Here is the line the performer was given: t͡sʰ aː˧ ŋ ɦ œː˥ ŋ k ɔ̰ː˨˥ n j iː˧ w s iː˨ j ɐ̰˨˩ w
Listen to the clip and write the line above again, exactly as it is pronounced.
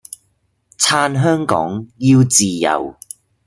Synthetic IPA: t͡sʰ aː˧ n ɦ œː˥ ŋ k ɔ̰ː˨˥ ŋ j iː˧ w t͡s iː˨ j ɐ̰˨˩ w

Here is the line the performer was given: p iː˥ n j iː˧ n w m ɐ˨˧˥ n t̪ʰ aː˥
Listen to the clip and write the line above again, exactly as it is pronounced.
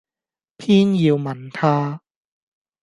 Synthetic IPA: pʰ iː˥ n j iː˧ w m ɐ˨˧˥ n t̪ʰ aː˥

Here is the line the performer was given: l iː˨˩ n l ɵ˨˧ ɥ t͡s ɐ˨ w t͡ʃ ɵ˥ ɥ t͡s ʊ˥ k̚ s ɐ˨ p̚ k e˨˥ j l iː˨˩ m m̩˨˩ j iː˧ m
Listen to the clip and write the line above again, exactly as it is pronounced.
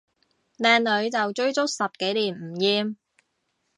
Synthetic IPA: l ɛː˨˩ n l ɵ˨˧ ɥ t͡s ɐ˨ w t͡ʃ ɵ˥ ɥ t͡s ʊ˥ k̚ s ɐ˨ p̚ k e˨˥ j l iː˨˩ n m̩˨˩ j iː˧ m

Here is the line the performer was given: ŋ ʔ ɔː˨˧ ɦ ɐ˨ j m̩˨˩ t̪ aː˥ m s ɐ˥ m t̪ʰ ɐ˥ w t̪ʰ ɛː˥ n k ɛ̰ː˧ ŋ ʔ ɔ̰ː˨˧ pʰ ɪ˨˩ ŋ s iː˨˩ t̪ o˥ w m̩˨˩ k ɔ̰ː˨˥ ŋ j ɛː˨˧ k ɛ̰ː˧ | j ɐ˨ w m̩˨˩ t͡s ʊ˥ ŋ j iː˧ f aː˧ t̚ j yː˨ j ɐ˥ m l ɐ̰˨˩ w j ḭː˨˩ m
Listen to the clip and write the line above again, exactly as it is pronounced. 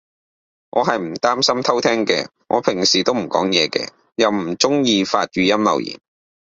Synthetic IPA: ŋ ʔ ɔː˨˧ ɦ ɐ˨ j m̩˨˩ t̪ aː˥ m s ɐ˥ m t̪ʰ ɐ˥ w t̪ʰ ɛː˥ ŋ k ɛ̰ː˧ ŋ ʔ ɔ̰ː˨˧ pʰ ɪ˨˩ ŋ s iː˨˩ t̪ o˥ w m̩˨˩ k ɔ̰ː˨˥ ŋ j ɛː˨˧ k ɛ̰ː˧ | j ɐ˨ w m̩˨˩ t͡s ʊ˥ ŋ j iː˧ f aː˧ t̚ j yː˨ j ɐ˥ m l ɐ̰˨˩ w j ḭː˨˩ n

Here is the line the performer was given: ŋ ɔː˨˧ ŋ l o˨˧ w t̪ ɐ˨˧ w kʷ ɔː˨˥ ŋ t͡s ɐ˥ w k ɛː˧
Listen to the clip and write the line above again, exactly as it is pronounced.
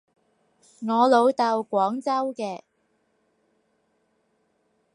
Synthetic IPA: ŋ ɔː˨˧ l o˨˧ w t̪ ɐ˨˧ w kʷ ɔː˨˥ ŋ t͡s ɐ˥ w k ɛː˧

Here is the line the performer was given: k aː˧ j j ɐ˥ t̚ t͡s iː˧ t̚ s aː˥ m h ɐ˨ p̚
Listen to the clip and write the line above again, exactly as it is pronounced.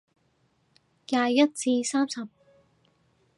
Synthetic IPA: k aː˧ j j ɐ˥ t̚ t͡s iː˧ s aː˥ m s ɐ˨ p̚

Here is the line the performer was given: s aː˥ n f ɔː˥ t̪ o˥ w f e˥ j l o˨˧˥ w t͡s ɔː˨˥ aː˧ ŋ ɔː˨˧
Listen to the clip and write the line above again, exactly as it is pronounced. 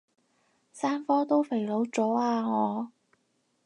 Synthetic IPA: s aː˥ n f ɔː˥ t̪ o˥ w f e˨˩ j l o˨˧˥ w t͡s ɔː˨˥ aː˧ ŋ ɔː˨˧

